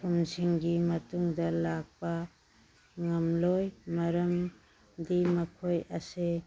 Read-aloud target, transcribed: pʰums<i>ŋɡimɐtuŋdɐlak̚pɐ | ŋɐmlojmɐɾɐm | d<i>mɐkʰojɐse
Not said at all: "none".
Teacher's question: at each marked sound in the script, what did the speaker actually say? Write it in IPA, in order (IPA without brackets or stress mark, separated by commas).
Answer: i, i